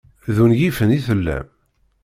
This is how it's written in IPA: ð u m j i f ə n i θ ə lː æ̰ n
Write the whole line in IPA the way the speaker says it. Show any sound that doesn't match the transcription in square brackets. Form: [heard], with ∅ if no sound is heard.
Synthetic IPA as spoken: ð u [n] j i f ə n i θ ə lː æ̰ [m]

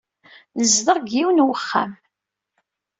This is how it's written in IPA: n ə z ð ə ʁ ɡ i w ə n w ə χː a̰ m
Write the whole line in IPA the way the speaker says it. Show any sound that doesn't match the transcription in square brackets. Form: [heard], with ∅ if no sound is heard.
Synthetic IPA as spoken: n ə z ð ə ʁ ɡ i w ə n w ə χː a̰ m

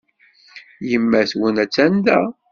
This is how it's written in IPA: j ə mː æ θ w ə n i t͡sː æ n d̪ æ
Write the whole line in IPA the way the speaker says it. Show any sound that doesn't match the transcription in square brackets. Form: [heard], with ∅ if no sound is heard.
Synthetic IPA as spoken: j ə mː æ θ w ə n [æ] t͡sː æ n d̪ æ

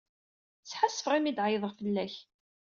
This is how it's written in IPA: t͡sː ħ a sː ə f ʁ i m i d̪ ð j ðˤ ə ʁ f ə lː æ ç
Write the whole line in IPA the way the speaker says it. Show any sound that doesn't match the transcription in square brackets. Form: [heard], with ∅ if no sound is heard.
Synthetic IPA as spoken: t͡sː ħ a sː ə f ʁ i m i d̪ [ʕ] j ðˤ ə ʁ f ə lː æ ç

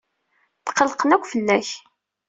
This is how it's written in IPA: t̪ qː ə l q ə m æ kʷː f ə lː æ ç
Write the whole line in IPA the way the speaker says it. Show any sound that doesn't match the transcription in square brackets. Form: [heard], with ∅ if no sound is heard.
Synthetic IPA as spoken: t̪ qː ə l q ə [n] æ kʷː f ə lː æ ç

